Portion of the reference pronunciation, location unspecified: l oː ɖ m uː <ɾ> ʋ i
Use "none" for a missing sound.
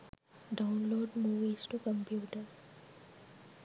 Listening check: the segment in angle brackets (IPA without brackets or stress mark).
none